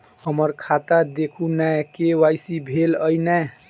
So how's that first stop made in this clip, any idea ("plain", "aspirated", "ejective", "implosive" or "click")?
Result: aspirated